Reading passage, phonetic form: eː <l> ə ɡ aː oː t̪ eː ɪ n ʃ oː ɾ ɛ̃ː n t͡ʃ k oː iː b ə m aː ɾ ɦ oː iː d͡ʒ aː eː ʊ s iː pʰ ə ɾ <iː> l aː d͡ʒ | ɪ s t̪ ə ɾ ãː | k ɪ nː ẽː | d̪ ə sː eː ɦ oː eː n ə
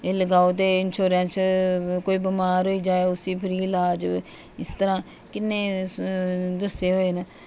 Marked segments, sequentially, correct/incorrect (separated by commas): correct, correct